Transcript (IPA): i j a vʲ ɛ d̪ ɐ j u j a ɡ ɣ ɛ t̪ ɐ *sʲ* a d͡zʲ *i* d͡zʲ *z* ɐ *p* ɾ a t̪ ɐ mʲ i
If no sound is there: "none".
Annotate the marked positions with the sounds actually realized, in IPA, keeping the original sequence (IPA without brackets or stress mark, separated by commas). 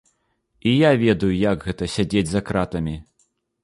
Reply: sʲ, e, z, k